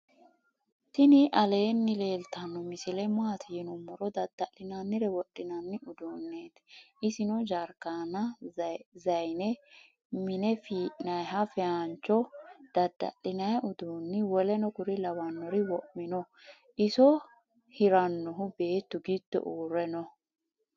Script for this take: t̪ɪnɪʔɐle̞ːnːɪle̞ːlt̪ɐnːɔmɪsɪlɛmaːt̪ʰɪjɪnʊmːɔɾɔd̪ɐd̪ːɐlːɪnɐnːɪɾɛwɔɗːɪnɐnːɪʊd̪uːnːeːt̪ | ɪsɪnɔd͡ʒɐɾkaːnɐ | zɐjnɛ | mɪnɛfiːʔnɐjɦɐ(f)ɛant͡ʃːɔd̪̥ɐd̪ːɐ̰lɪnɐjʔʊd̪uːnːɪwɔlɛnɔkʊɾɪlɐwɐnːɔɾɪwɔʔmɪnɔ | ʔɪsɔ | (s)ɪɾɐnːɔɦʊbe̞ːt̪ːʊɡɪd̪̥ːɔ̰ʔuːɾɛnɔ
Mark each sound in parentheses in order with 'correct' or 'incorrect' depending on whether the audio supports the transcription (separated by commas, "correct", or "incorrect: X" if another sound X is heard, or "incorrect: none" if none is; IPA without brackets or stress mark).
correct, incorrect: h